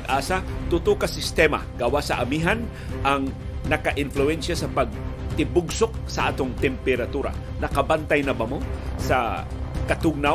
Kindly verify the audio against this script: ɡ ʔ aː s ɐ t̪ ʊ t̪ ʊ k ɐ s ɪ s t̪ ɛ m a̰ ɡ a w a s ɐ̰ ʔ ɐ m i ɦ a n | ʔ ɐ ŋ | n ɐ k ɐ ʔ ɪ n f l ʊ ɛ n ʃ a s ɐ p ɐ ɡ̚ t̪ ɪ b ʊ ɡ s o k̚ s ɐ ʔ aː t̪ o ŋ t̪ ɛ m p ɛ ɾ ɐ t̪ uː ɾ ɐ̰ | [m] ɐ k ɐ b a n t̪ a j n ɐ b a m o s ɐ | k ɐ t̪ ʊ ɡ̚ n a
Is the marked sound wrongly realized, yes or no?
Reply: yes